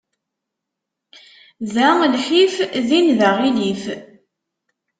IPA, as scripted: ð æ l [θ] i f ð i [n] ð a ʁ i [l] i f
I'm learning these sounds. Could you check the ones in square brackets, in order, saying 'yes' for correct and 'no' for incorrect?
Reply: no, yes, yes

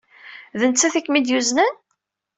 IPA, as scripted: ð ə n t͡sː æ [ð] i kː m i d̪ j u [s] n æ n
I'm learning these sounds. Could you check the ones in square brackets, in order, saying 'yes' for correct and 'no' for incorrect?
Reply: no, no

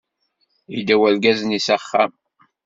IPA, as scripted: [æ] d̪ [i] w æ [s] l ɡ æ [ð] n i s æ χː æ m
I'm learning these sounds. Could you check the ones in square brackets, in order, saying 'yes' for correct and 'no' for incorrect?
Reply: no, no, no, no

